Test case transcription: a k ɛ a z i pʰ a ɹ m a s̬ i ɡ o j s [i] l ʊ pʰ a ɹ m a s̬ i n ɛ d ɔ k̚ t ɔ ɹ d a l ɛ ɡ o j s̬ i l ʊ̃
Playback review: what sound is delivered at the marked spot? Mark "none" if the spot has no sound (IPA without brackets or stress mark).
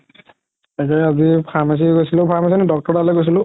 i